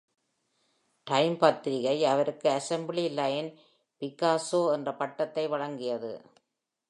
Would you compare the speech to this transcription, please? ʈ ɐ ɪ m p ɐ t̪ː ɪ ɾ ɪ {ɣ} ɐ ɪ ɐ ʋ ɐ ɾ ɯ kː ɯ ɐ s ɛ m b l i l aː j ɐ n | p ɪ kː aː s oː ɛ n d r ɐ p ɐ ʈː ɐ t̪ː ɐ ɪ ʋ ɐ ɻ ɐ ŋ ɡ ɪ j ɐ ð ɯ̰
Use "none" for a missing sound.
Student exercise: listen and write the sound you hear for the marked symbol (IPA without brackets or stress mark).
ɣ